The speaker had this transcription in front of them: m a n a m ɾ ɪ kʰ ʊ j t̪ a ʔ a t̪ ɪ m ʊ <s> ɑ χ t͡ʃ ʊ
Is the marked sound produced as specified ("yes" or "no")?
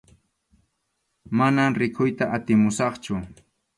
yes